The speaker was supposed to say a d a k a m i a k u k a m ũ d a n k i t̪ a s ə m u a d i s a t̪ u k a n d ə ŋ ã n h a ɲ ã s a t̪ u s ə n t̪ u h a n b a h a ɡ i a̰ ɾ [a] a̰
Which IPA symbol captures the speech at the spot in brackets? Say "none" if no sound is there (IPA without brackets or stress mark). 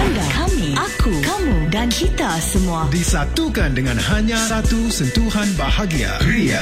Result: i